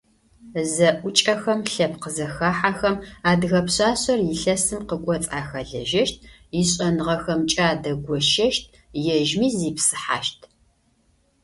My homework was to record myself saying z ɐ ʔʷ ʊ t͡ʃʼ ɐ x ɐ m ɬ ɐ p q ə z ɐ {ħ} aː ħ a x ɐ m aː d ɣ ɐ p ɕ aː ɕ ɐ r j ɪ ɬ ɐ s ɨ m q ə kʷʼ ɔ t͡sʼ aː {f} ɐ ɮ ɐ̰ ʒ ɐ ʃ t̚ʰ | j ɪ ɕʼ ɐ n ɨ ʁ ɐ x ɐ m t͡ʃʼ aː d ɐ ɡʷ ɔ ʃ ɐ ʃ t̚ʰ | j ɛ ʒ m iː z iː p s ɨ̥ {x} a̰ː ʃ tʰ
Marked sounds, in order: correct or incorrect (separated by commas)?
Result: incorrect, incorrect, incorrect